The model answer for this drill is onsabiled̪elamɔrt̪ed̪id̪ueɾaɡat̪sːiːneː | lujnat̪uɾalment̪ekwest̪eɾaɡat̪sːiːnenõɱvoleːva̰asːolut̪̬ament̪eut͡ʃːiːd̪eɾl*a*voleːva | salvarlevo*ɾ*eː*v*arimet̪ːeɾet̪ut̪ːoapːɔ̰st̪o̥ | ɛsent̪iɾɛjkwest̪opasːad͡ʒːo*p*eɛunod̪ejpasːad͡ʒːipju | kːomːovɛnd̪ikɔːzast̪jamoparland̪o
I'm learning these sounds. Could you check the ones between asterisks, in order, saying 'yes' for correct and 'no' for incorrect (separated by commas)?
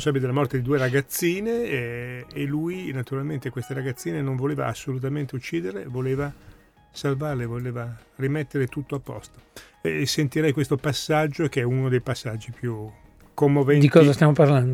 no, no, yes, no